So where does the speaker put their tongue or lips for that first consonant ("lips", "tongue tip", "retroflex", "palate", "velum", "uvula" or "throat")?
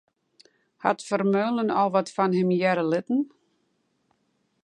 throat